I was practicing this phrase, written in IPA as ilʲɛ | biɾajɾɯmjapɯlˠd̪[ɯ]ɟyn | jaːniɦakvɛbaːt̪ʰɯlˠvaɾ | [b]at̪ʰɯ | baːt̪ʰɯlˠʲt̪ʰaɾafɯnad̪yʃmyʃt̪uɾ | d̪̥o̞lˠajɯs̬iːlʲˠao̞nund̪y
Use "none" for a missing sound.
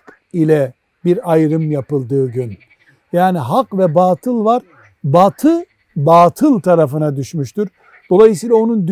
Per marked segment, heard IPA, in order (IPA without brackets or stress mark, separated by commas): ɯː, b